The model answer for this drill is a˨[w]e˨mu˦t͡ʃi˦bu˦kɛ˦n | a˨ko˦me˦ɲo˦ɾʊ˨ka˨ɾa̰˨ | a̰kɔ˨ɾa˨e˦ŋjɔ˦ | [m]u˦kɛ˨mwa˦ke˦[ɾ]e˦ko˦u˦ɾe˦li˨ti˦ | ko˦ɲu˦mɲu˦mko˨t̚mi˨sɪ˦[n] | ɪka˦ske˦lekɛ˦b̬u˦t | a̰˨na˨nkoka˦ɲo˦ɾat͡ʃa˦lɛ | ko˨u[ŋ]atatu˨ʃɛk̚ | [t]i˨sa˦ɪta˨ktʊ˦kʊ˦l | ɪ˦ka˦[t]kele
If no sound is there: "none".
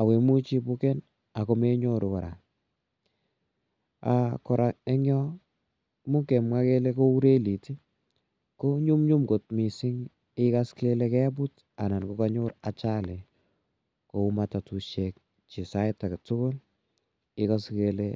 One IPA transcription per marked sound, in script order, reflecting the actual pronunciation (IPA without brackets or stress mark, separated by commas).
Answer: w, m, l, ŋ, m, t͡ʃ, s